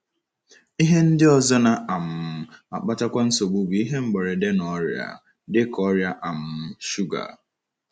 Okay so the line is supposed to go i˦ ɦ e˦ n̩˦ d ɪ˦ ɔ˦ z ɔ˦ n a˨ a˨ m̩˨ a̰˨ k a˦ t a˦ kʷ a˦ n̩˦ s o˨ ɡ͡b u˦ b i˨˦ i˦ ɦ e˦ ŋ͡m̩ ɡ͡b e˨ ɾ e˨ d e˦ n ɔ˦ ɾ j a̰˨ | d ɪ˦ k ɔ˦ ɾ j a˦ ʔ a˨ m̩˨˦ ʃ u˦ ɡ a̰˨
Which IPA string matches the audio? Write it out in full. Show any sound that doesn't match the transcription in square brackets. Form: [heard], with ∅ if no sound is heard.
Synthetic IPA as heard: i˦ ɦ e˦ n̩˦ d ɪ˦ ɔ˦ z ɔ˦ n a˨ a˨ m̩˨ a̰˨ [k͡p] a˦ t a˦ kʷ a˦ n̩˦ s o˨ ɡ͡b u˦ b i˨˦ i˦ ɦ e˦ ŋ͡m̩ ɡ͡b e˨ ɾ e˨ d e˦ n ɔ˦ ɾ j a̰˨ | d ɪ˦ k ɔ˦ ɾ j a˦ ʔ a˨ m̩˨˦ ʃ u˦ ɡ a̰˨